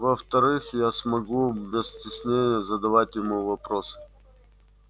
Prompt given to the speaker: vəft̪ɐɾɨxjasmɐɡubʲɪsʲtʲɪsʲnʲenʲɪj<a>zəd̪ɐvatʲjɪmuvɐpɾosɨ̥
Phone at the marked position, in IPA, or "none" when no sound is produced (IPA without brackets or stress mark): ə